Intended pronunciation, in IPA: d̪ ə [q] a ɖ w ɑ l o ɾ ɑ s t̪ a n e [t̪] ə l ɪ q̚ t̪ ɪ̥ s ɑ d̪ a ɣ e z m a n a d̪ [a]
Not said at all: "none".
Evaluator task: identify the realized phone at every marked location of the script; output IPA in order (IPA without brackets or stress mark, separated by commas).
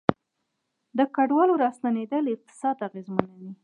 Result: k, d̪, i